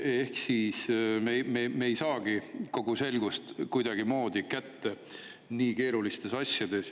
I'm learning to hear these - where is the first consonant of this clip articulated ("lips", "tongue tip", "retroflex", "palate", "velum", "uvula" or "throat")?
throat